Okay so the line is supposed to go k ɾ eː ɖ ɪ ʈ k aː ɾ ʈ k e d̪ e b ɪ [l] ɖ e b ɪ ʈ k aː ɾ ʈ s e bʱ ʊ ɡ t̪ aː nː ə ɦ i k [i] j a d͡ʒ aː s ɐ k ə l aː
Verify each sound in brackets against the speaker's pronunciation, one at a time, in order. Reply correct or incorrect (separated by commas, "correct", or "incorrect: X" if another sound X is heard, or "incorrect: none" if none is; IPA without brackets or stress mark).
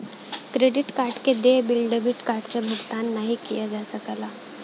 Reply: correct, correct